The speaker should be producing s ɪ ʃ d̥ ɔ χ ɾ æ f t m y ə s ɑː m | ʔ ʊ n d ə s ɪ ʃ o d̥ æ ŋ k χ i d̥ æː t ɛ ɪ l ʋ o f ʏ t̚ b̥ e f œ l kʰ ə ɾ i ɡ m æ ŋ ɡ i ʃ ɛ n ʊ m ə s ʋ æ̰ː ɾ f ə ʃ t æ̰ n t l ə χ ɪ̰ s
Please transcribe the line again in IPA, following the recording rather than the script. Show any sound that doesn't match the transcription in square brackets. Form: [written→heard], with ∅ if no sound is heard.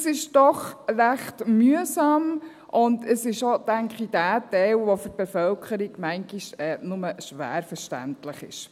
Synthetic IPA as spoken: s ɪ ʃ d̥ ɔ χ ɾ æ [f→χ] t m y ə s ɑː m | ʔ ʊ n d ə s ɪ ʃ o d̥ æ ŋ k χ i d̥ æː t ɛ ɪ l ʋ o f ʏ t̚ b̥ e f œ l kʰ ə ɾ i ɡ m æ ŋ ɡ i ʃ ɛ n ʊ m ə [s→ʃ] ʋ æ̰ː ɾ f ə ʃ t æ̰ n t l ə χ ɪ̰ [s→ʃ]